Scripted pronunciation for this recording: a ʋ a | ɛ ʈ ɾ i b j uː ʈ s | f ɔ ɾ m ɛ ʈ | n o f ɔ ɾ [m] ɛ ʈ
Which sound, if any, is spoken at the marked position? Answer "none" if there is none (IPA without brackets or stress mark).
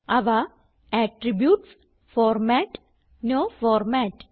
m